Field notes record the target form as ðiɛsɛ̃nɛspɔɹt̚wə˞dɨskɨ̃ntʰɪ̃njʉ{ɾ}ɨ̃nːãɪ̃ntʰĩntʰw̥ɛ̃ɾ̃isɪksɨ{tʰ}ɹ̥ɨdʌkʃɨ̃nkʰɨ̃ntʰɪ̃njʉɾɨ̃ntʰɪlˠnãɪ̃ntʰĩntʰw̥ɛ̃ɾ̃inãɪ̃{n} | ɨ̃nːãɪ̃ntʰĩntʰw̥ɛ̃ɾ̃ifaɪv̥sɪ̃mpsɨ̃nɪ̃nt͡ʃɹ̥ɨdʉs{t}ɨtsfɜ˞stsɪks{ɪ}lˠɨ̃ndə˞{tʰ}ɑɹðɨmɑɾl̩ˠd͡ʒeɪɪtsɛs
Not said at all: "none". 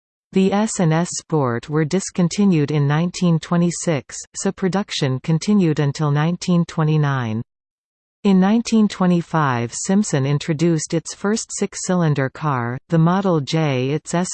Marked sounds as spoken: ɾ, pʰ, n, t, ɪ, kʰ

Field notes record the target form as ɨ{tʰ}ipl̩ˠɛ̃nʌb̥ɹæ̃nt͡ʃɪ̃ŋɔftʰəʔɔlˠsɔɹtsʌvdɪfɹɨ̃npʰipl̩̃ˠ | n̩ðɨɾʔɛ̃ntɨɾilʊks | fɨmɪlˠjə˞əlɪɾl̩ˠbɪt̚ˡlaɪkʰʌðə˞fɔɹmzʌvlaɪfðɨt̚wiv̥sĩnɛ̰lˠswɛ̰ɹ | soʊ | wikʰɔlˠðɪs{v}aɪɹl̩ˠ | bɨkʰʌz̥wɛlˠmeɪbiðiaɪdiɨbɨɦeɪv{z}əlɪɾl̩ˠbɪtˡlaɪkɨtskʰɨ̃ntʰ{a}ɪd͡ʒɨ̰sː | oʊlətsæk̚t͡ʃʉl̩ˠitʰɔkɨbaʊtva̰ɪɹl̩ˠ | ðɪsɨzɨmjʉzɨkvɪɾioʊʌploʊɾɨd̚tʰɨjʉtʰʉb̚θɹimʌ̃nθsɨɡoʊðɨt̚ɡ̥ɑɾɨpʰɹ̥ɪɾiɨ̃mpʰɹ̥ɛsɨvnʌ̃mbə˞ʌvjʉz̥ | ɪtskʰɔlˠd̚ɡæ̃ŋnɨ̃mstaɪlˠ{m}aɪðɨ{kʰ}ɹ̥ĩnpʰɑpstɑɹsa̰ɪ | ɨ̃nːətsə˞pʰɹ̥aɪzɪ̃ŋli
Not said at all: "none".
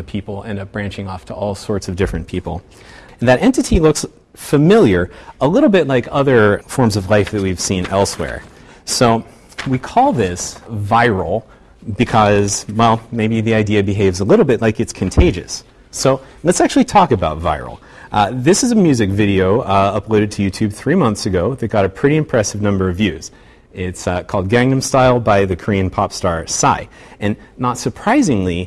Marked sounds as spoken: pʰ, v, z, e, b, kʰ

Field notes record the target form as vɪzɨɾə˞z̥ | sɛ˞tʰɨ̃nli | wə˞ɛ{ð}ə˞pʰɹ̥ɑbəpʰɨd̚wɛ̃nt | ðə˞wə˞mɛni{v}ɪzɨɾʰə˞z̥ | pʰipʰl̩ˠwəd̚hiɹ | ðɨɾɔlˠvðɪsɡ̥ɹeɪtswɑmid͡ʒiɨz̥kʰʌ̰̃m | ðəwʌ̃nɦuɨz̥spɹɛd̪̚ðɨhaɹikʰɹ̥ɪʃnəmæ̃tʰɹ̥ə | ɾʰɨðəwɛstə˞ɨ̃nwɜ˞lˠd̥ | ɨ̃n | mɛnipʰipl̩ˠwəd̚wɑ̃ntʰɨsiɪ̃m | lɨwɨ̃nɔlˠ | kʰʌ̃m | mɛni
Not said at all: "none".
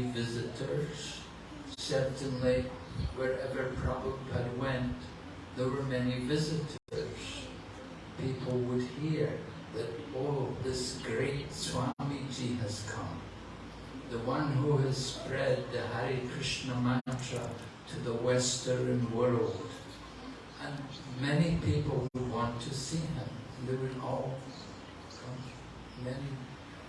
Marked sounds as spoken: v, v

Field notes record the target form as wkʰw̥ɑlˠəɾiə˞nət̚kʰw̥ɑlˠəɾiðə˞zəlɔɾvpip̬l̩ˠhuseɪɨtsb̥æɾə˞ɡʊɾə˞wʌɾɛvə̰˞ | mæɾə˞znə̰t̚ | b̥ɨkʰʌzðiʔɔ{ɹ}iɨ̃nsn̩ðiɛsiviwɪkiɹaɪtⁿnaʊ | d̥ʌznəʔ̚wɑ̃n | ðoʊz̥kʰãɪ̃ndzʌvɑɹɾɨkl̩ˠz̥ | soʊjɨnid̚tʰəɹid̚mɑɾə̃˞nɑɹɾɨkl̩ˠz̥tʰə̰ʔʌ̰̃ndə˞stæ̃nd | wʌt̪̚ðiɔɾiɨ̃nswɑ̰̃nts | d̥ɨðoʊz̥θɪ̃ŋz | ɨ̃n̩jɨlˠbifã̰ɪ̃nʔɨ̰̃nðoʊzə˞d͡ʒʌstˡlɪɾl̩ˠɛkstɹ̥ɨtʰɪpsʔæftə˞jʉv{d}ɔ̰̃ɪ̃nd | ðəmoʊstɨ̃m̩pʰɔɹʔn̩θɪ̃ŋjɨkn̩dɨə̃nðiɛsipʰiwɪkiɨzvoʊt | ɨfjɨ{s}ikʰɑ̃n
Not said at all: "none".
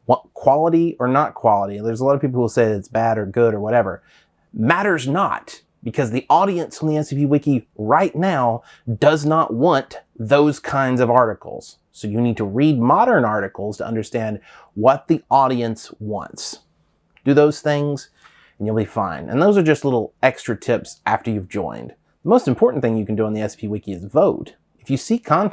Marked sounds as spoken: ɾ, d͡ʒ, s

